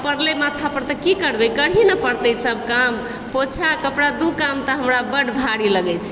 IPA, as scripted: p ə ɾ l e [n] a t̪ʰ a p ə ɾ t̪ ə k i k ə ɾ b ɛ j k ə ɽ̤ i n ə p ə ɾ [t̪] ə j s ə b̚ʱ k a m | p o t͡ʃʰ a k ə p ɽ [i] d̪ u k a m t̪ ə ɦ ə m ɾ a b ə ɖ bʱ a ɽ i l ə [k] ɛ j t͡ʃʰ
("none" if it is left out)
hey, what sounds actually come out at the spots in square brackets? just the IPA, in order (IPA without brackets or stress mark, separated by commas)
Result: m, t̪, a, ɡ